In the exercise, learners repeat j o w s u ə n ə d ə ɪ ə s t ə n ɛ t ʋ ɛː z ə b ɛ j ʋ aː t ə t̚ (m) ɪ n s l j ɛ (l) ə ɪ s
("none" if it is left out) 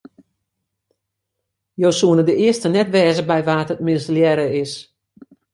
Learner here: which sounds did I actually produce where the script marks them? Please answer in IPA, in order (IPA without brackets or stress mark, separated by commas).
m, ɾ